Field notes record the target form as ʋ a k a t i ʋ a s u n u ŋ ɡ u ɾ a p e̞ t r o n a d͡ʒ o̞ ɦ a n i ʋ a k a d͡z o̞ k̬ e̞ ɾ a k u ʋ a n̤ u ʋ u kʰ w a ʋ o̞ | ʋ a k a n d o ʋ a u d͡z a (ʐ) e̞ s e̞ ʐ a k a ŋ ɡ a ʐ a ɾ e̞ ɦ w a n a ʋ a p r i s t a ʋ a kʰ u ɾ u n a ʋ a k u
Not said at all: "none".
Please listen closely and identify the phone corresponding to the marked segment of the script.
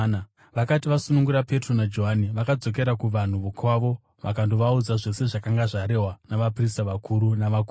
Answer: ʐ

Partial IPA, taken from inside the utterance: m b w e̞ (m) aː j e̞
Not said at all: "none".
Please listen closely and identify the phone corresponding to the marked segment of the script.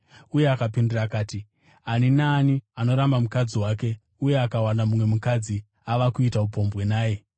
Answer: n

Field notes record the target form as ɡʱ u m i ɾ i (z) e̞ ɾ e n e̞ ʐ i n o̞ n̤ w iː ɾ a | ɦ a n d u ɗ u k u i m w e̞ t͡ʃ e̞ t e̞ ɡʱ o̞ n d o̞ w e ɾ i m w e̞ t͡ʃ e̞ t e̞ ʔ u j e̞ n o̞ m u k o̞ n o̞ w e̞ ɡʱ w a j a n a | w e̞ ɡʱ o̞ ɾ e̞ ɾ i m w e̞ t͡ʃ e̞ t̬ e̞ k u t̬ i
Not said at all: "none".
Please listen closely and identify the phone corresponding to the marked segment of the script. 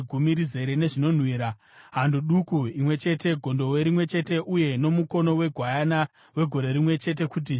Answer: z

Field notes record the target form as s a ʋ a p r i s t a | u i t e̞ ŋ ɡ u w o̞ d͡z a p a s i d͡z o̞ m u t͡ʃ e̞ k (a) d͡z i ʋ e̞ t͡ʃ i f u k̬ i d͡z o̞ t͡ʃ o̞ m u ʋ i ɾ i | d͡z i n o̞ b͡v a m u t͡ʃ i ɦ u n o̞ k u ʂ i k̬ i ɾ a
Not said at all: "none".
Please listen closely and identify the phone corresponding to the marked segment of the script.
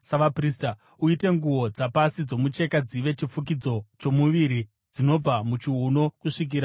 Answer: a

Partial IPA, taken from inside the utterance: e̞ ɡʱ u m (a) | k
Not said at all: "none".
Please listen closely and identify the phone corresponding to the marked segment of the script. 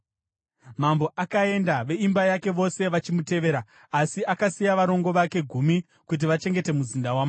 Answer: i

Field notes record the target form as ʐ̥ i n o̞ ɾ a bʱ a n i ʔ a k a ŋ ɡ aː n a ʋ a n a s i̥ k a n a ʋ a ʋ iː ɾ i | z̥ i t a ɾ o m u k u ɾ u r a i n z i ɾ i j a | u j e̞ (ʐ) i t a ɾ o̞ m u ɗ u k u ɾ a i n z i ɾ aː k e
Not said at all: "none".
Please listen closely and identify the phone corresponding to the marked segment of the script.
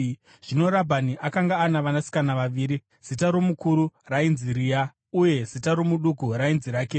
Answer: z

